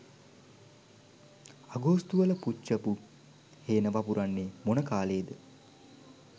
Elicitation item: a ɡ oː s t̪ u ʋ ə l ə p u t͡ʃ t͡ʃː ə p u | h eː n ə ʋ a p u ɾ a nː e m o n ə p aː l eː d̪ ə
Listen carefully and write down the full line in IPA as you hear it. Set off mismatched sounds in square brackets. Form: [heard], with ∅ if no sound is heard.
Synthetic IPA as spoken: a ɡ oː s t̪ u ʋ ə l ə p u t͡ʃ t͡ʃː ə p u | h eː n ə ʋ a p u ɾ a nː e m o n ə [k] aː l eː d̪ ə